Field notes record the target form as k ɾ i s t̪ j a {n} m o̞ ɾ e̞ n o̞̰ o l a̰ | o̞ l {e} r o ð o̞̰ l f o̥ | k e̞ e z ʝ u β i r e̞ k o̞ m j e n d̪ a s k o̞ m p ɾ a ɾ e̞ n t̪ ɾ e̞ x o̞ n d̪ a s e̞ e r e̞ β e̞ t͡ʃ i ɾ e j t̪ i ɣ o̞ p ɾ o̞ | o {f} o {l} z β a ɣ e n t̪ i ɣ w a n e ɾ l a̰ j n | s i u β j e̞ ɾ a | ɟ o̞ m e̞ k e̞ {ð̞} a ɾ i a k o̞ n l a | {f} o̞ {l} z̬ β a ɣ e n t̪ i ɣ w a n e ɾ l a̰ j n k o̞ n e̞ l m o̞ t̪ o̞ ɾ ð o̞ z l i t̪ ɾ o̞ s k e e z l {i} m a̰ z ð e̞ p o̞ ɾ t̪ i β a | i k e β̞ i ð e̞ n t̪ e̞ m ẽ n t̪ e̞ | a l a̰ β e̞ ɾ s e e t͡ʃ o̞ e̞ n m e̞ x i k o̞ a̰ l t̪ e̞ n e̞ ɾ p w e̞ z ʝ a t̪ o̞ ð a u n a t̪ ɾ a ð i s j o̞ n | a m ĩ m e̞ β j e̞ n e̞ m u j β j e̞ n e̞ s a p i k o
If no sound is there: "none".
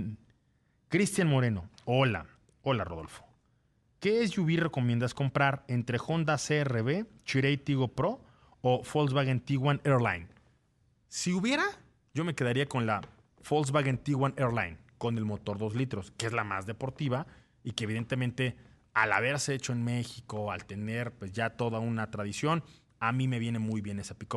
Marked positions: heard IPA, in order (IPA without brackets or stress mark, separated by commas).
n, a, f, l, ð̞, f, l, a